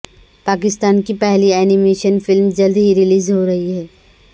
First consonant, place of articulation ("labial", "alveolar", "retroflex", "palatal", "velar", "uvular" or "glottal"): labial